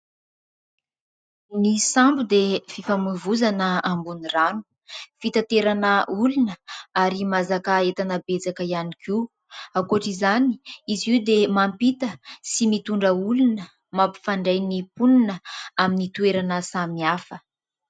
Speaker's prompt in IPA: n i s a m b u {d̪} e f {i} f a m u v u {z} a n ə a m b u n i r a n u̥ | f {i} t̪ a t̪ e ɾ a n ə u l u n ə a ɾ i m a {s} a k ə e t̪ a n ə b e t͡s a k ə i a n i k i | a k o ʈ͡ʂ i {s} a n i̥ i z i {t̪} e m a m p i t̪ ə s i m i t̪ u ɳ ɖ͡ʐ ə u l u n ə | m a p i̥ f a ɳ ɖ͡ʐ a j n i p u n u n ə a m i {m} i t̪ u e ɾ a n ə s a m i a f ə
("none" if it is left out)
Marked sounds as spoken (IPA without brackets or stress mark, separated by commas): d̪, i, z, i, z, z, d̪, n